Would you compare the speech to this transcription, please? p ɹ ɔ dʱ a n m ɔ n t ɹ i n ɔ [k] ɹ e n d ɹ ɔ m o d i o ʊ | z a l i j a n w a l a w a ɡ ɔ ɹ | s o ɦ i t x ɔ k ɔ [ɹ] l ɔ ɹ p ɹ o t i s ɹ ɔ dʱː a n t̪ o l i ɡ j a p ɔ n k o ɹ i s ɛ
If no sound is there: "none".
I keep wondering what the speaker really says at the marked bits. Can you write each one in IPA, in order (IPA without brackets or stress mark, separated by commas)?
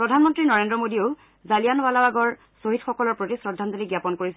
none, none